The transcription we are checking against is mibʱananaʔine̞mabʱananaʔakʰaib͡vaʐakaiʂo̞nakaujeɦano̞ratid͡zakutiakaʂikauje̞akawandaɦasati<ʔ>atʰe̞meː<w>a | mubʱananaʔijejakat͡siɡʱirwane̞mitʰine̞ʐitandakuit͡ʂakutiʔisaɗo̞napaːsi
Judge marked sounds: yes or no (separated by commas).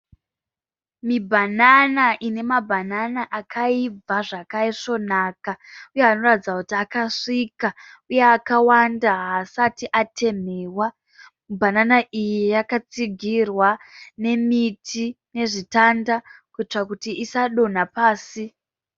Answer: yes, yes